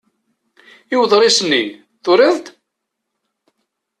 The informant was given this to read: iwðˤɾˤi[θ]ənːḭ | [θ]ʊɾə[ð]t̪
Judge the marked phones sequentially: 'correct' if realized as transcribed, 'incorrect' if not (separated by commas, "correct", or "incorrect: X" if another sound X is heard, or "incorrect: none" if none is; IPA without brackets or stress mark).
incorrect: s, correct, correct